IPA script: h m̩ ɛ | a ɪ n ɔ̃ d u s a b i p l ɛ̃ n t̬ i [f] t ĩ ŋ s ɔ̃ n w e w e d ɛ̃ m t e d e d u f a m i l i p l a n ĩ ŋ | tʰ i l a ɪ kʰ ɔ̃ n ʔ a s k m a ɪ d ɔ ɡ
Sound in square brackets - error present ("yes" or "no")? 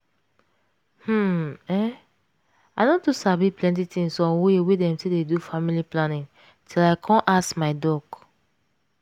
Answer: yes